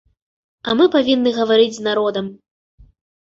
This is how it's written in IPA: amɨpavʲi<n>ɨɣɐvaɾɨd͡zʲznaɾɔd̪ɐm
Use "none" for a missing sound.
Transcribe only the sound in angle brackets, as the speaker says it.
nː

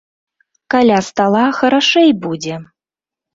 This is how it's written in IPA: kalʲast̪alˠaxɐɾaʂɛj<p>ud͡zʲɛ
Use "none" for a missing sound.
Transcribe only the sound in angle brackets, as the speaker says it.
b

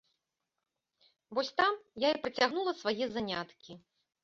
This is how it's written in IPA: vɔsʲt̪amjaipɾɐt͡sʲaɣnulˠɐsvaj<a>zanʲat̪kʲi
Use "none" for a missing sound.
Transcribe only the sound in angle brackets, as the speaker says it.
ɛ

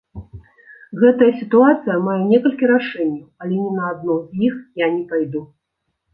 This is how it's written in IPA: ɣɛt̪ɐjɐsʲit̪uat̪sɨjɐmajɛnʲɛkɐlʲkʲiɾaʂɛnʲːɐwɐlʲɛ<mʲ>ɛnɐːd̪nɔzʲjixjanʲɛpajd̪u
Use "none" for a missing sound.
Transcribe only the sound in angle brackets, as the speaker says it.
nʲ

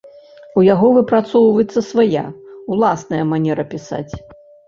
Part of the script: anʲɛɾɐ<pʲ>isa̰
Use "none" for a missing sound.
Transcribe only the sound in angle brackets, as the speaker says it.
pʲ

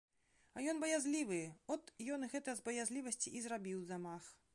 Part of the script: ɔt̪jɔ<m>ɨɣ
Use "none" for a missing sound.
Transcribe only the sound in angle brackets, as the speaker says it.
n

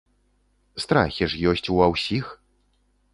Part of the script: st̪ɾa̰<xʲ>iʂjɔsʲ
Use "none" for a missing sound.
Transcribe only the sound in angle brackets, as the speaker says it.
xʲ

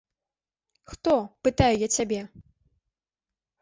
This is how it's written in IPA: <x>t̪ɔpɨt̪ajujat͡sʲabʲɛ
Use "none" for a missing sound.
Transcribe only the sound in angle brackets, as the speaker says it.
x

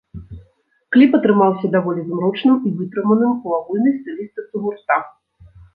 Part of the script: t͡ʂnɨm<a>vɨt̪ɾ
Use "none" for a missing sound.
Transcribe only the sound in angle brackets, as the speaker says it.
i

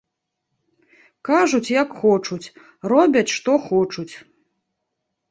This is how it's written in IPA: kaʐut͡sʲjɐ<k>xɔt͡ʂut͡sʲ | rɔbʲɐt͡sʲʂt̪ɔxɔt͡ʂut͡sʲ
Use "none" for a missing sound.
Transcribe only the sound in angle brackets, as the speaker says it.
k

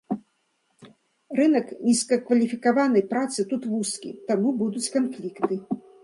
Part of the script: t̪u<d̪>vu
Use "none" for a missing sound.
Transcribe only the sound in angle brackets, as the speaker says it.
t̪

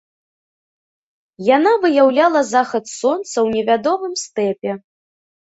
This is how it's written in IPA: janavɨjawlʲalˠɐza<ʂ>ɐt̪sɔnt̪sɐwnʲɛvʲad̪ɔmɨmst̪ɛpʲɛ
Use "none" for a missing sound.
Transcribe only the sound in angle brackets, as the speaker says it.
x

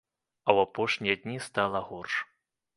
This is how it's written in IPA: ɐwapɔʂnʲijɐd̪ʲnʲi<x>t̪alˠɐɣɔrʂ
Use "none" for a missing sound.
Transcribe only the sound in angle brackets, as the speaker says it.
s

